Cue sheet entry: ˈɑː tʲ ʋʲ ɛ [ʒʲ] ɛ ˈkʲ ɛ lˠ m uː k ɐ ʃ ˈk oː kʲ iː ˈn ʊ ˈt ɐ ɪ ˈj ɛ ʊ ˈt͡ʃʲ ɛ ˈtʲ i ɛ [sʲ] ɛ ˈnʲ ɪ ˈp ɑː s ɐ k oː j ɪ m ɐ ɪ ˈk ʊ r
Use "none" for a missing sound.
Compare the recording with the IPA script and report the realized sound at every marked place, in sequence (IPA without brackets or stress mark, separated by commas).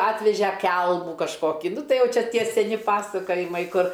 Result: ʒʲ, sʲ